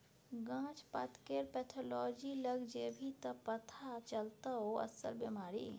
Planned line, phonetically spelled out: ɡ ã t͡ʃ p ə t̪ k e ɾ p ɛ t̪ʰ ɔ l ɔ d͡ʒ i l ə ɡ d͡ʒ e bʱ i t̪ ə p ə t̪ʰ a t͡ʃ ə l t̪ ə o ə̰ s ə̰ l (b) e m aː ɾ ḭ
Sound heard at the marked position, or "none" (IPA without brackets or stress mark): b